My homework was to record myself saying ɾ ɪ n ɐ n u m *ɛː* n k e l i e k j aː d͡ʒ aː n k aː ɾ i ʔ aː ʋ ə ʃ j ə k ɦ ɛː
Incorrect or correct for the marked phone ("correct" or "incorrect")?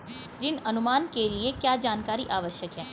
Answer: incorrect